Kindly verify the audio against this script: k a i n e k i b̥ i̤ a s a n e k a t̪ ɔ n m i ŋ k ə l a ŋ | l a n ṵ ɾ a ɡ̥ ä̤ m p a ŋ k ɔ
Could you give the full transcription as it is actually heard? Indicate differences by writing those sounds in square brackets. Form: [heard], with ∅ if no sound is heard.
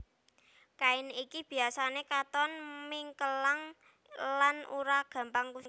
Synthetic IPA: k a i n [i] k i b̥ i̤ a s a n e k a t̪ ɔ n m i ŋ k ə l a ŋ | l a n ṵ ɾ a ɡ̥ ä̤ m p a ŋ k [u]